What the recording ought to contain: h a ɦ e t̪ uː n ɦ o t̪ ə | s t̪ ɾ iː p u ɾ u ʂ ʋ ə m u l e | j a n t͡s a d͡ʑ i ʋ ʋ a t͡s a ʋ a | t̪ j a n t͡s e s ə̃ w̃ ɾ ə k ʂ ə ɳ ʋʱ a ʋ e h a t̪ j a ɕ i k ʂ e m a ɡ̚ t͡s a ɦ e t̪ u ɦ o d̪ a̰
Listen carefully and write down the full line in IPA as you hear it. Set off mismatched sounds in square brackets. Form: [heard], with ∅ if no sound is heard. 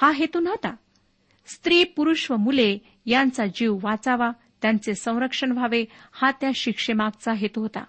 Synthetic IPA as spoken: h a ɦ e t̪ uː n ɦ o t̪ [a] | s t̪ ɾ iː p u ɾ u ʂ ʋ ə m u l e | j a n t͡s a d͡ʑ i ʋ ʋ a t͡s a ʋ a | t̪ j a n t͡s e s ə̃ w̃ ɾ ə k ʂ ə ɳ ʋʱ a ʋ e h a t̪ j a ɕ i k ʂ e m a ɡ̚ t͡s a ɦ e t̪ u ɦ o [t̪] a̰